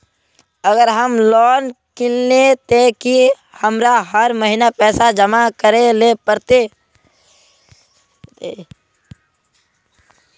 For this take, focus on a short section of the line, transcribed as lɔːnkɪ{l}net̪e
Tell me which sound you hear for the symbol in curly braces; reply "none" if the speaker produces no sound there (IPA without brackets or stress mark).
l